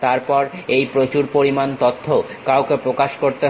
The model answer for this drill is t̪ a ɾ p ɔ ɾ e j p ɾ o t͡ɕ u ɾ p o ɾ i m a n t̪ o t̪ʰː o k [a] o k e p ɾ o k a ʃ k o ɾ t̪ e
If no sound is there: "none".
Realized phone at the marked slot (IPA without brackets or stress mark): a